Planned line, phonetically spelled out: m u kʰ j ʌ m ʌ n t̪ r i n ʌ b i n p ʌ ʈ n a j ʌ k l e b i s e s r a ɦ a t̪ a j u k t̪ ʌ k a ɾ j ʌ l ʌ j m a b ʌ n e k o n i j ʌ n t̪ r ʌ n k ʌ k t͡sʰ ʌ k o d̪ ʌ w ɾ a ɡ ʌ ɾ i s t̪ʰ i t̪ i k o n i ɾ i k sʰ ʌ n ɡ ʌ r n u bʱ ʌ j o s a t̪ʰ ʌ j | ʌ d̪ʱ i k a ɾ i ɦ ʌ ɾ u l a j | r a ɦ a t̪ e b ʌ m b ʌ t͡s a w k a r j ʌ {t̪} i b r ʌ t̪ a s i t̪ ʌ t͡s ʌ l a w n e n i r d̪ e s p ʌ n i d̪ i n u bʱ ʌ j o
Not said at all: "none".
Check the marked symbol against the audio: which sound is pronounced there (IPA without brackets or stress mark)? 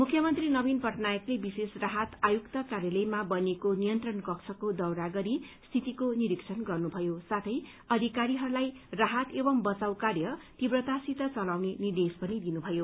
t̪